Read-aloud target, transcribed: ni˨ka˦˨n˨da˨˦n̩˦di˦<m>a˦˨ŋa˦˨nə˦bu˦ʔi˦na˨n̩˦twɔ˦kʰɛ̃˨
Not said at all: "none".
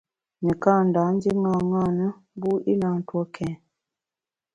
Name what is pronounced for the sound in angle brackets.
ŋ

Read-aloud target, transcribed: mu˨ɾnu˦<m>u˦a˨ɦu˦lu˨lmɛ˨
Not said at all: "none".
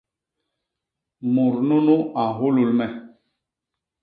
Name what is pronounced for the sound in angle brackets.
n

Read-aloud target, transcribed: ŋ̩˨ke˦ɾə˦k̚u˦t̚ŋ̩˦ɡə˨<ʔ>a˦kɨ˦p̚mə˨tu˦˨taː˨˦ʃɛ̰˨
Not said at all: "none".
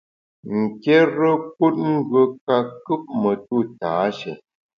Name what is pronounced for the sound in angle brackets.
k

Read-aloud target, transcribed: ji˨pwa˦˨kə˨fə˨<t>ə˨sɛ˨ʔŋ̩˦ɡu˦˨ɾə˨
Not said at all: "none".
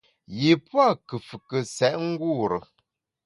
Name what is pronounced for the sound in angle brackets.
k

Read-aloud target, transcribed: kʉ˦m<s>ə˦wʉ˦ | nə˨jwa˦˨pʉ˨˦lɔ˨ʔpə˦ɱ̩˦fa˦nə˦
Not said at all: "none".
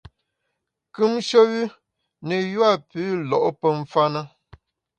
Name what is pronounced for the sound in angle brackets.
ʃ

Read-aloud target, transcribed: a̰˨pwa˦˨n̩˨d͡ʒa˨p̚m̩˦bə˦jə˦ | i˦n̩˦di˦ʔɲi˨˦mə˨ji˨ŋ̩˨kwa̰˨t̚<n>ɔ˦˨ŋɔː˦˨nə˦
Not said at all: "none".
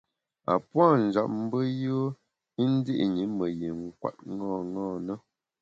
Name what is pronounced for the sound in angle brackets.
ŋ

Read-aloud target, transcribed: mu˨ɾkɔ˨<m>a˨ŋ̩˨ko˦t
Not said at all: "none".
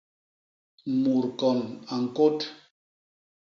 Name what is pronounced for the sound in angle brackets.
n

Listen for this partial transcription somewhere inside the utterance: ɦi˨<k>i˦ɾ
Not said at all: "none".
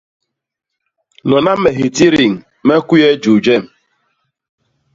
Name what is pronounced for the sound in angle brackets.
t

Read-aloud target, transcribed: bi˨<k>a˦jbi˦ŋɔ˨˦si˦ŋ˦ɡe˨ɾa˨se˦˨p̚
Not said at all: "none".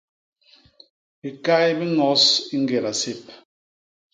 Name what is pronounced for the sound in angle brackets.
k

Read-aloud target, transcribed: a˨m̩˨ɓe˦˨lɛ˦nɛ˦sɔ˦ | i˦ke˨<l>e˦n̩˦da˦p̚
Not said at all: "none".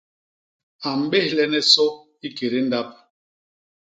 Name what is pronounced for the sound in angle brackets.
ɾ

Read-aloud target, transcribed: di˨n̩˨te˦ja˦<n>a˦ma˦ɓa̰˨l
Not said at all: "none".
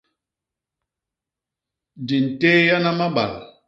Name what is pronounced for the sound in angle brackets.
n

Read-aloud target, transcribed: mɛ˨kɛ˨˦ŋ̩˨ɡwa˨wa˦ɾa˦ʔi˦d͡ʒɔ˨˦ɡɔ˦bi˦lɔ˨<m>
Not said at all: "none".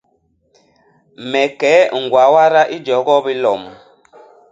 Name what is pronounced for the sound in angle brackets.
m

